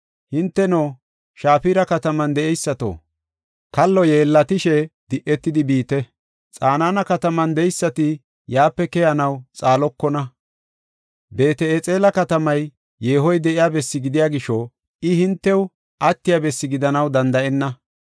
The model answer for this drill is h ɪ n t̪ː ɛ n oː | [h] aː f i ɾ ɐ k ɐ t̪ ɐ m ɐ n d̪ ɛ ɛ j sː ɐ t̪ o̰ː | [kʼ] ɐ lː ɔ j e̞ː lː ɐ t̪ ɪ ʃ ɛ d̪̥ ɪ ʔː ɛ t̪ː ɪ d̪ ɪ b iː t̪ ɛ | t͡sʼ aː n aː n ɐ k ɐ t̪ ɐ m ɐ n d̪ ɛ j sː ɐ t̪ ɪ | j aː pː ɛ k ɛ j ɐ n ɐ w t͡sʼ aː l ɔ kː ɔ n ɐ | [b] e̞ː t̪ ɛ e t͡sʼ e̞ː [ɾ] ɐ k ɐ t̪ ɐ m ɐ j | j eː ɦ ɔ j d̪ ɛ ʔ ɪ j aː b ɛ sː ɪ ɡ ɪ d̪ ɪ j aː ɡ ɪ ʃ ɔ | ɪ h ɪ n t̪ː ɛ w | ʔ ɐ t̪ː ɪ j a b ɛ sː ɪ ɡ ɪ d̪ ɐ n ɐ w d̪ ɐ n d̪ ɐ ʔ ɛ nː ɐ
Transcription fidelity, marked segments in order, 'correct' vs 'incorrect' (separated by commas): incorrect, incorrect, correct, incorrect